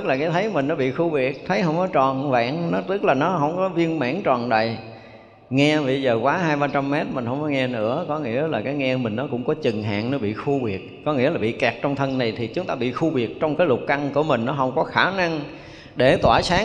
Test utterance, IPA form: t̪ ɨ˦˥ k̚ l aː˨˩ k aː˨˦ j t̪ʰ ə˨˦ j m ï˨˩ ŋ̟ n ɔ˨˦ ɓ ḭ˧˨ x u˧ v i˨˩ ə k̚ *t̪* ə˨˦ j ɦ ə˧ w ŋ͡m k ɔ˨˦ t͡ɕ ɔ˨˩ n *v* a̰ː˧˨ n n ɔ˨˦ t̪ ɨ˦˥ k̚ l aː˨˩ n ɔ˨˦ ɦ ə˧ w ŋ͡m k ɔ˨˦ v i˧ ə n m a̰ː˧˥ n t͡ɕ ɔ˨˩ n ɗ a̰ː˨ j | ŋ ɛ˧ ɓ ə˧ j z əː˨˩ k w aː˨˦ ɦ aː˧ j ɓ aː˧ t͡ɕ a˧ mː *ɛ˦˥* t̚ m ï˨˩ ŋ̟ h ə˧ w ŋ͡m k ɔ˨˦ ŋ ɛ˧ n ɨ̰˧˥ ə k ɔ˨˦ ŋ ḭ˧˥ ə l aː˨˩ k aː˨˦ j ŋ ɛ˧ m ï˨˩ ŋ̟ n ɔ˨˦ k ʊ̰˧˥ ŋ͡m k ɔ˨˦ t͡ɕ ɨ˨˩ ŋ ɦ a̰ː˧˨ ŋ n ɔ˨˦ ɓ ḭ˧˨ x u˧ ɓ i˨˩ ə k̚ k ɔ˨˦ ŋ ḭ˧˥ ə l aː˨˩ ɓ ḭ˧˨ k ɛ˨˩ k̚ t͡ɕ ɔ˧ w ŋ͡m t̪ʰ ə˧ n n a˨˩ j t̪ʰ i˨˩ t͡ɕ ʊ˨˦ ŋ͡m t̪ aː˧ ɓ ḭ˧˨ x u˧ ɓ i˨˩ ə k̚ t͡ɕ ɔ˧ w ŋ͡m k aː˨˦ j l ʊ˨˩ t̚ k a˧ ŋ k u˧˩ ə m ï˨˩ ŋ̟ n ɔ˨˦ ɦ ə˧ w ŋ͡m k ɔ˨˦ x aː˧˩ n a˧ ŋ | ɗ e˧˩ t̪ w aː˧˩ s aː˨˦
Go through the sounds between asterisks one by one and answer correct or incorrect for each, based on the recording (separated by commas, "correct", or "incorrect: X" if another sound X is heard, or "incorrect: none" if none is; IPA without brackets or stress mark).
incorrect: t̪ʰ, correct, correct